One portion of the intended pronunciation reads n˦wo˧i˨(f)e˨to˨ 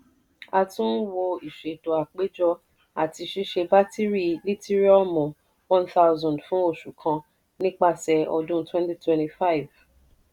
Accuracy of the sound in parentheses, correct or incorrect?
incorrect